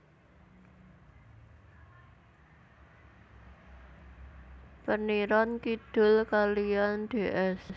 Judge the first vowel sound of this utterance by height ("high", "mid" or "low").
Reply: mid